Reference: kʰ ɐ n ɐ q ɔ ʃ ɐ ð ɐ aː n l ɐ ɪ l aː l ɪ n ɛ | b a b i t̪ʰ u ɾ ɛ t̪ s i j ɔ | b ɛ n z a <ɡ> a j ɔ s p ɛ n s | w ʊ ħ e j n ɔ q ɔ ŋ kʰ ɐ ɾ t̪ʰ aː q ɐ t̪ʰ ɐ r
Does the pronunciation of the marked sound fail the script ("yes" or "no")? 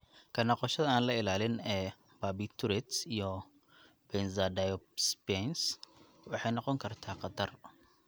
yes